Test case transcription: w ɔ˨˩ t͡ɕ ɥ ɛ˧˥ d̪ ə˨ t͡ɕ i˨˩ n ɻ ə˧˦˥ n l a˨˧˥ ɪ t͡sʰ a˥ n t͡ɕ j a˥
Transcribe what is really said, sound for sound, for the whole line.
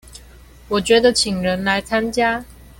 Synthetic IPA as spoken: w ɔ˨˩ t͡ɕ ɥ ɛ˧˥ d̪ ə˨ t͡ɕʰ i˨˩ ŋ ɻ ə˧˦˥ n l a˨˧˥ ɪ t͡sʰ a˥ n t͡ɕ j a˥

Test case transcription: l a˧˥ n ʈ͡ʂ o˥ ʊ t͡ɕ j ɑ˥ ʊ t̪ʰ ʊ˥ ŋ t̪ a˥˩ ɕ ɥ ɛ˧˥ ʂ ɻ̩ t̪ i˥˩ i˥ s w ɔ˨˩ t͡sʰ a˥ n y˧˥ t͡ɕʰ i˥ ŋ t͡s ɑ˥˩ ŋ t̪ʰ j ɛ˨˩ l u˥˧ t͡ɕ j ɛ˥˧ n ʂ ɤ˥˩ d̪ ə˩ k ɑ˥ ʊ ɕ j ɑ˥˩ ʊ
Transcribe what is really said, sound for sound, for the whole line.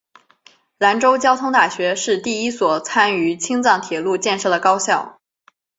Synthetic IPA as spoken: l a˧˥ n ʈ͡ʂ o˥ ʊ t͡ɕ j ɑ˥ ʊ t̪ʰ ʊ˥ ŋ t̪ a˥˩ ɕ ɥ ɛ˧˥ ʂ ɻ̩ t̪ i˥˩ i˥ s w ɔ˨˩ t͡sʰ a˥ n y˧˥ t͡ɕʰ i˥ ŋ t͡s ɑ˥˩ ŋ t̪ʰ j ɛ˨˩ l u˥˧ t͡ɕ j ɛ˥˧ n ʂ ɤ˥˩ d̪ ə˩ k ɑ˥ ʊ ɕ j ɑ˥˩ ʊ

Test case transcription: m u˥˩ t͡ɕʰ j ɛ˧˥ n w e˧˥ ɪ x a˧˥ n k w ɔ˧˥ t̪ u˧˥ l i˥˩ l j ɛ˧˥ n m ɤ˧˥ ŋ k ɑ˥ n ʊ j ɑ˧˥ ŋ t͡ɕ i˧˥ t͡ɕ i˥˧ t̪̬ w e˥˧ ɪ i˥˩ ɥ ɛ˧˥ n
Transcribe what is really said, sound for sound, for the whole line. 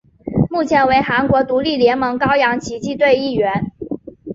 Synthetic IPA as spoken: m u˥˩ t͡ɕʰ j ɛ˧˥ n w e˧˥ ɪ x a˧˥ n k w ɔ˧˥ t̪ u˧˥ l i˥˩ l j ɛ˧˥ n m ɤ˧˥ ŋ k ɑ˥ ʊ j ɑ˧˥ ŋ t͡ɕʰ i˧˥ t͡ɕ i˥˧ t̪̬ w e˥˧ ɪ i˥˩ ɥ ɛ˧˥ n

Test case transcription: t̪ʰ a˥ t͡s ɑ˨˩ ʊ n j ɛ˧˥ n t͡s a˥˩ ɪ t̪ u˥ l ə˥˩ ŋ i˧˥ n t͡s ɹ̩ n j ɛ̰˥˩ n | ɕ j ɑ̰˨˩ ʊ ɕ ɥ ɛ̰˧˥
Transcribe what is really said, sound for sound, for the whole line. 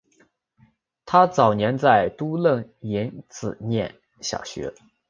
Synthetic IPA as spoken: t̪ʰ a˥ t͡s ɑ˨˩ ʊ n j ɛ˧˥ n t͡s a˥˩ ɪ t̪ u˥ l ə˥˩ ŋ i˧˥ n t͡s ɹ̩ n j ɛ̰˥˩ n | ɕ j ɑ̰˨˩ ʊ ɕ ɥ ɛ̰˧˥

